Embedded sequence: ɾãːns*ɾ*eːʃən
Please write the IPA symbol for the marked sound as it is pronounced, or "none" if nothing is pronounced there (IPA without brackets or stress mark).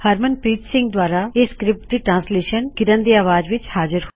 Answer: l